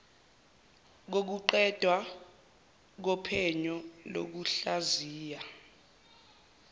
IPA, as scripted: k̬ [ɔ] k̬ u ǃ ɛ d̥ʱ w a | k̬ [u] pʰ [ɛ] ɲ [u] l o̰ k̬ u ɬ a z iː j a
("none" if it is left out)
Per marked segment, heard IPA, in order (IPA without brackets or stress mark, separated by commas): o, ɔ, ɛ, ɔ